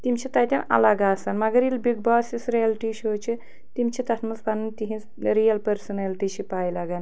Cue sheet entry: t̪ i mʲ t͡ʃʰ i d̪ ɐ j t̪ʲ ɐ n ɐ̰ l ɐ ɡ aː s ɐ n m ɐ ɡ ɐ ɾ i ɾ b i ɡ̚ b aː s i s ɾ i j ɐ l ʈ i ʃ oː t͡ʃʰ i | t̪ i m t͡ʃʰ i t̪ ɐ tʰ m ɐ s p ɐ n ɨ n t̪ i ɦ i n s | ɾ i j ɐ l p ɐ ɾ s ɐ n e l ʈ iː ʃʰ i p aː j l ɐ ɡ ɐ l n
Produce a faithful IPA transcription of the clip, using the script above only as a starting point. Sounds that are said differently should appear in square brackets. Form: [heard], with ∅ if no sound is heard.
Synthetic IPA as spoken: t̪ i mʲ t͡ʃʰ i [t̪] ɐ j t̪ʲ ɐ n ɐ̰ l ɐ ɡ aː s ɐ n m ɐ ɡ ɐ ɾ i [l] b i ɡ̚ b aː s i s ɾ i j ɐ l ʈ i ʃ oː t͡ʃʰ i | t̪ i m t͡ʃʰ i t̪ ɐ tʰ m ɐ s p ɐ n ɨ n t̪ i ɦ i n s | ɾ i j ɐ l p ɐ ɾ s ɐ n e l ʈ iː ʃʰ i p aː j l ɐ ɡ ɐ [∅] n